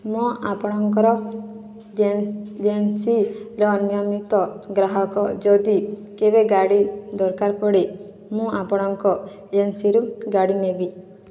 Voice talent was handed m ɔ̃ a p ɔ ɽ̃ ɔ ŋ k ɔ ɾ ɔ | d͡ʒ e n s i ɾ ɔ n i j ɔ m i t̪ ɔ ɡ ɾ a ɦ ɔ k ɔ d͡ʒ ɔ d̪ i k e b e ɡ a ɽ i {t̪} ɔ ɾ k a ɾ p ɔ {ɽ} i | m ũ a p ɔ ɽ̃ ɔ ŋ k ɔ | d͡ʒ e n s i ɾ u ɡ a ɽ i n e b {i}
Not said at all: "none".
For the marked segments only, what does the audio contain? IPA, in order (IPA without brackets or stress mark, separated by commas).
d̪, ɽ, i